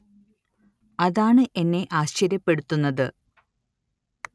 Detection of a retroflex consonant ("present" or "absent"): present